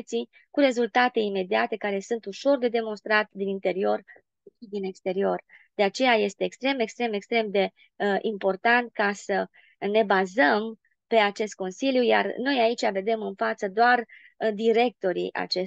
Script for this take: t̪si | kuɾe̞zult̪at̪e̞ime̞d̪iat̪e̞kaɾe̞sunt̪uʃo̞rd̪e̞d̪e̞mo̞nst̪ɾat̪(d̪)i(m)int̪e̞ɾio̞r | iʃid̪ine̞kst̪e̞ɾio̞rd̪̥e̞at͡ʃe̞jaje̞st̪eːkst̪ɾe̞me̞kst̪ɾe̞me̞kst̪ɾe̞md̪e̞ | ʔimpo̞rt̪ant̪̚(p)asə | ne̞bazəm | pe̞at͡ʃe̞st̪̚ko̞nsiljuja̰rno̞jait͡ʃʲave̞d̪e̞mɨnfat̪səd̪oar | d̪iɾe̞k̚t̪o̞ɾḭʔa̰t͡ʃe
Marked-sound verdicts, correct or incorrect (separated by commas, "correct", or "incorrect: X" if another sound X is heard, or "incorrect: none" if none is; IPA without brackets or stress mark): correct, incorrect: n, incorrect: k